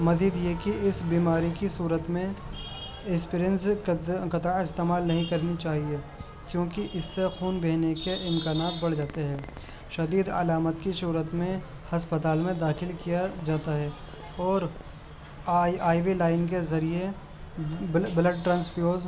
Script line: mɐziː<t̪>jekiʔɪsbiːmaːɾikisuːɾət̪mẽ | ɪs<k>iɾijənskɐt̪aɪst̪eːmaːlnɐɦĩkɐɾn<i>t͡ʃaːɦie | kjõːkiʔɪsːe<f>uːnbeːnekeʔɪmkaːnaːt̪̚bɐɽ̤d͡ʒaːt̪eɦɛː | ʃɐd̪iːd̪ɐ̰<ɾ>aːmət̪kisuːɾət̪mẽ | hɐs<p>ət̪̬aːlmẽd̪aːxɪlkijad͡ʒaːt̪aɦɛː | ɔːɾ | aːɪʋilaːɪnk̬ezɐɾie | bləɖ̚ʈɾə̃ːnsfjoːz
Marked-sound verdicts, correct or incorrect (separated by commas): incorrect, incorrect, correct, incorrect, incorrect, correct